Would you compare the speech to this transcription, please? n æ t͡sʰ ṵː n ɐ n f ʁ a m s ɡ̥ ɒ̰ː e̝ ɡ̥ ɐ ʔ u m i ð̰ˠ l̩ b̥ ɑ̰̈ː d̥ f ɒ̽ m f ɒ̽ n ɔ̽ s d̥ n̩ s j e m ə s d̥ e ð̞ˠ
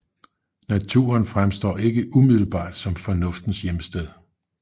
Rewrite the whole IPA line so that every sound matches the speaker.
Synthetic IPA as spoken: n æ t͡sʰ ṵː ɐ n f ʁ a m s d̥ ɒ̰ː e̝ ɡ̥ ə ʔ u m i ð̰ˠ l̩ b̥ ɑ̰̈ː d̥ s ɒ̽ m f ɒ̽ n ɔ̽ f d̥ n̩ s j e m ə s d̥ e ð̞ˠ